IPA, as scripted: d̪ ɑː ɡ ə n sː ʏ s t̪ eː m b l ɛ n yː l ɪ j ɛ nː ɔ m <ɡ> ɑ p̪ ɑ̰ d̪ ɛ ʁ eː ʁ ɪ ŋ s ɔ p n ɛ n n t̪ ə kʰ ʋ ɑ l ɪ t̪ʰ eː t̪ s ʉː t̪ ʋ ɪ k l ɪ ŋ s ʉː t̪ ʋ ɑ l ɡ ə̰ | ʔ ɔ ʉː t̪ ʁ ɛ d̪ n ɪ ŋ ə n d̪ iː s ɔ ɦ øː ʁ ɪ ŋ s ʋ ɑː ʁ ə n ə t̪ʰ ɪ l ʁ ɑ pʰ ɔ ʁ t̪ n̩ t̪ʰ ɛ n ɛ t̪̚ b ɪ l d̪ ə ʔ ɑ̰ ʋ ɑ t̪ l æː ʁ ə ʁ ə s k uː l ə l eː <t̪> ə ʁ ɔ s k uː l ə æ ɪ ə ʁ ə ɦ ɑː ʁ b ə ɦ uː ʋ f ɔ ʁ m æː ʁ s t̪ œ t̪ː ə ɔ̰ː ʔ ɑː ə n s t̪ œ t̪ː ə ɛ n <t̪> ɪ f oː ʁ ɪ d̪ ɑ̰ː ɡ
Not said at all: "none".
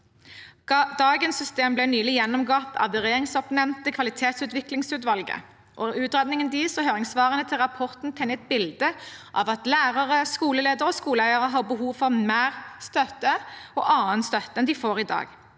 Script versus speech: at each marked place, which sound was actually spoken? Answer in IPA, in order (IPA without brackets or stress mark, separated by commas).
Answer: ɡ, d̪, d̪